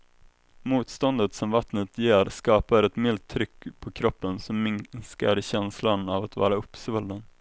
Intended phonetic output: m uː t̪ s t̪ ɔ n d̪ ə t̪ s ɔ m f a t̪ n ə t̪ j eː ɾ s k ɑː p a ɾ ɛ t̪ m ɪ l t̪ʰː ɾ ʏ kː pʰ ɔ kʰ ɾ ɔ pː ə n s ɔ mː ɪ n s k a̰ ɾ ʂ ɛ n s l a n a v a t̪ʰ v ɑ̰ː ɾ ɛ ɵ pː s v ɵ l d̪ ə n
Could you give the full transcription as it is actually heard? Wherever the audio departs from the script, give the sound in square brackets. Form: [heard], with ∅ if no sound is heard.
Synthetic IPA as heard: m uː t̪ s t̪ ɔ n d̪ ə t̪ s ɔ m [v] a t̪ n ə t̪ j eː ɾ s k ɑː p a ɾ ɛ t̪ m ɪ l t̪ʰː ɾ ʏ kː pʰ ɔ kʰ ɾ ɔ pː ə n s ɔ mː ɪ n s k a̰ ɾ [ɕ] ɛ n s l a n a v a [t̪] v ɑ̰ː ɾ [a] ɵ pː s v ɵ l d̪ ə n